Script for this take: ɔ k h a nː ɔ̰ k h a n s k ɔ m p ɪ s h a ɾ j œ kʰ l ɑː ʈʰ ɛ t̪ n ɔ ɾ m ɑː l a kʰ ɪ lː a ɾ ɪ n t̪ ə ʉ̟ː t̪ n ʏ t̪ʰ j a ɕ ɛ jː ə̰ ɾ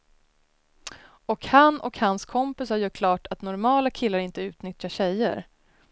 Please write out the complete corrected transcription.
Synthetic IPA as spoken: ɔ k h a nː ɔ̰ k h a n s kʰ ɔ m p ɪ s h a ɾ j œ kʰ l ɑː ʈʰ a t̪ n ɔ ɾ m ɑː l a kʰ ɪ lː a ɾ ɪ n t̪ ə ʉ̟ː t̪ n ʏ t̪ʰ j a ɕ ɛ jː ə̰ ɾ